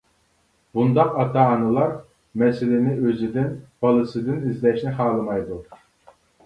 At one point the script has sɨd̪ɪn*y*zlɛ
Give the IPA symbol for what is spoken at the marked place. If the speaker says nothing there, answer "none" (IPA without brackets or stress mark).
i